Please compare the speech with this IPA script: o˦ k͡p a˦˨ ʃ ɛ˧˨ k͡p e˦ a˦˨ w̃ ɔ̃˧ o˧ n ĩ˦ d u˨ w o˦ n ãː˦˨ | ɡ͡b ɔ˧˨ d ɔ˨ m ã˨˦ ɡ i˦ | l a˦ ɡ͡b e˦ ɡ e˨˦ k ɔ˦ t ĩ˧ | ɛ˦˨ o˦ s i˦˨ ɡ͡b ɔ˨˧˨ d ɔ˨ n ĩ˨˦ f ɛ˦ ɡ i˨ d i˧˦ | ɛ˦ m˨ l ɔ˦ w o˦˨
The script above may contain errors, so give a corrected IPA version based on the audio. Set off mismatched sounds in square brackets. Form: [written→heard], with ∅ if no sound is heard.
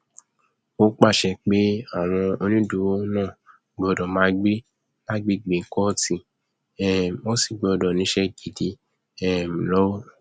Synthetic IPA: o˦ k͡p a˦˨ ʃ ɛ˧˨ k͡p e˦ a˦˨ w̃ ɔ̃˧ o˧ n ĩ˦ d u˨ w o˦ n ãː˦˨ | ɡ͡b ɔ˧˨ d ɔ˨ m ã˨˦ [ɡ→ɡ͡b] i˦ | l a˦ ɡ͡b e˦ [ɡ→ɡ͡b] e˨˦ k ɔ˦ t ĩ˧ | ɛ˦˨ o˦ s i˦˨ ɡ͡b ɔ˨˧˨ d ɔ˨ n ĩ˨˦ [f→ʃ] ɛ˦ ɡ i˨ d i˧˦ | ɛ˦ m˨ l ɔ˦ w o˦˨